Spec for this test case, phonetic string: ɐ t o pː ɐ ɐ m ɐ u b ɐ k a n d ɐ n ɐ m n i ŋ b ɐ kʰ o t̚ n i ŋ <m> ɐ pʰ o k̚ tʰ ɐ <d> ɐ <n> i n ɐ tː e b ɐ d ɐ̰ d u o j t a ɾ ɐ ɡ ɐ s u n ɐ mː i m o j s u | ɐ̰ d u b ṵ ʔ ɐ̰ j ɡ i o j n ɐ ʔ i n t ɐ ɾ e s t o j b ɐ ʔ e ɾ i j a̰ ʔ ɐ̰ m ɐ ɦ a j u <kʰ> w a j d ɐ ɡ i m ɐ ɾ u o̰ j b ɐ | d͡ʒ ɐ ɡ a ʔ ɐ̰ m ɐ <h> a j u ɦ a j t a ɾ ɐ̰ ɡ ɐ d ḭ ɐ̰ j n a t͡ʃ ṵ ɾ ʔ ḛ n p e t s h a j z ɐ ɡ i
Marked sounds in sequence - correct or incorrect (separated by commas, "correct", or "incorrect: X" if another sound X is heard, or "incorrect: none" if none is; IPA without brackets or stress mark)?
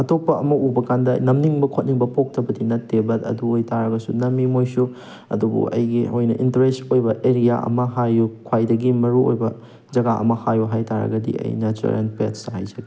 incorrect: b, incorrect: b, incorrect: d, correct, correct